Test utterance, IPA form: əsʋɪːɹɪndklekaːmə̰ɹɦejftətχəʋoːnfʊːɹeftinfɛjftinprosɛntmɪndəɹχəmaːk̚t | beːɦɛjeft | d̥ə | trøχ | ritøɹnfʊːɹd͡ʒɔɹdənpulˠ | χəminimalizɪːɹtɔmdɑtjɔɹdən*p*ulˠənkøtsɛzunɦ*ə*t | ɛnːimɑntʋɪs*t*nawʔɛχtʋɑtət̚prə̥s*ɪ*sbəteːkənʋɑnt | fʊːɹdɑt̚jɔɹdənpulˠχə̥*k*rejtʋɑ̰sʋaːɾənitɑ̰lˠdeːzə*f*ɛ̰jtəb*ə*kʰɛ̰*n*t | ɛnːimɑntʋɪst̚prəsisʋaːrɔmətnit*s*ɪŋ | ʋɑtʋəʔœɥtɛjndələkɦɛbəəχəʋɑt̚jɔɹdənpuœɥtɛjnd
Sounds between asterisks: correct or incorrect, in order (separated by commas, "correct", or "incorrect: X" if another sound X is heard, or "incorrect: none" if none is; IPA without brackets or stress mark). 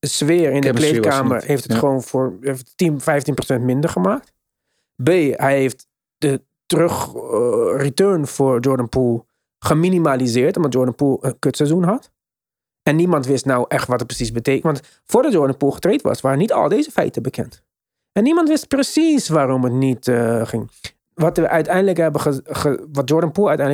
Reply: correct, incorrect: ɑ, correct, incorrect: i, incorrect: t, correct, correct, correct, incorrect: χ